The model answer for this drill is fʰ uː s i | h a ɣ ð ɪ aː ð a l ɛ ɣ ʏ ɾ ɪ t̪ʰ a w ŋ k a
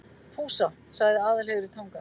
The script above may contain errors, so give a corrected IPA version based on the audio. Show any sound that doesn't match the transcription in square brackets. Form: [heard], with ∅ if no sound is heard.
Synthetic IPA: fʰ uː s [a] | [s] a ɣ ð ɪ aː ð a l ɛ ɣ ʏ ɾ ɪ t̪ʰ a w ŋ k a